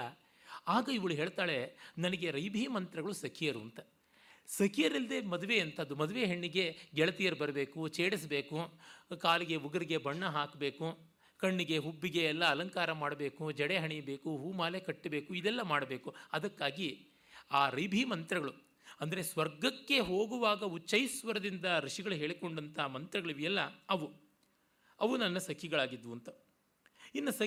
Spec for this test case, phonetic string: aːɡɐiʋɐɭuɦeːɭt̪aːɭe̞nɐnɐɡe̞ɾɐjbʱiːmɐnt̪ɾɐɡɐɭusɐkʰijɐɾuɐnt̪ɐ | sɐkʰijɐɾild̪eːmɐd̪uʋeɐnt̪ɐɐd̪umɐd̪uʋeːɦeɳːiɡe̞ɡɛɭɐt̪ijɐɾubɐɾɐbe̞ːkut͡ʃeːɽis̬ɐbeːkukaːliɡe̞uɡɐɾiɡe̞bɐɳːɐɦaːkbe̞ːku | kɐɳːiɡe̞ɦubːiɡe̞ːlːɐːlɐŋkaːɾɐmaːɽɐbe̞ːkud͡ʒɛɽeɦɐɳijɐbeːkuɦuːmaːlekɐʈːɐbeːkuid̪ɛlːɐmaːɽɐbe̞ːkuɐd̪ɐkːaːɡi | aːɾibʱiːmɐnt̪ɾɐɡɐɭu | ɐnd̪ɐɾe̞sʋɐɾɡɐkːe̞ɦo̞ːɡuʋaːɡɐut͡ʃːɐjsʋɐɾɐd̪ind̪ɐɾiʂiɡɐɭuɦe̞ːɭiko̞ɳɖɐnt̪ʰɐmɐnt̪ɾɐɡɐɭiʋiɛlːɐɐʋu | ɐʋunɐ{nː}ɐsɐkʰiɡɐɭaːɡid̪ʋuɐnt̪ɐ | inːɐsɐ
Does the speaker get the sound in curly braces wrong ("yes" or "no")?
no